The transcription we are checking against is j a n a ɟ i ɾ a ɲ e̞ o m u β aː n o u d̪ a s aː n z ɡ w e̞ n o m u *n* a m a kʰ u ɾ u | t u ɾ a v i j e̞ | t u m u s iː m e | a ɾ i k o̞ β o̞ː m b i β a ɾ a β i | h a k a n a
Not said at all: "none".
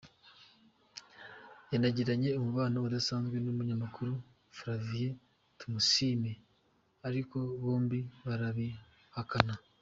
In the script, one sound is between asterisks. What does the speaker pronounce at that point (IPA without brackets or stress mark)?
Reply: ɲ